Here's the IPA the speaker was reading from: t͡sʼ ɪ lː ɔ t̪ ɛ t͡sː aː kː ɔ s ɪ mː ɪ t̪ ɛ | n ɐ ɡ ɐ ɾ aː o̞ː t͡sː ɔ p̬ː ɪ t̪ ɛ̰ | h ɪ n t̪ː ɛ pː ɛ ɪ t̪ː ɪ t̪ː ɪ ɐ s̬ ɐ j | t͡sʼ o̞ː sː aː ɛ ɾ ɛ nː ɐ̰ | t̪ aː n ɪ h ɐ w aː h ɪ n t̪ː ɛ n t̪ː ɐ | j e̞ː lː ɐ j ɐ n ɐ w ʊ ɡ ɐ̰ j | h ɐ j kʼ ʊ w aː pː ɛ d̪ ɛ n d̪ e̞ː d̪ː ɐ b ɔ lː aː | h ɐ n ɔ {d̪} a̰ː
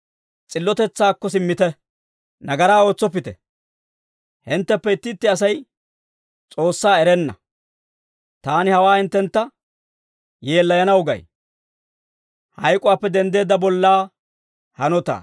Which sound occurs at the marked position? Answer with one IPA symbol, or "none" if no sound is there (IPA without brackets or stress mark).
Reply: t̪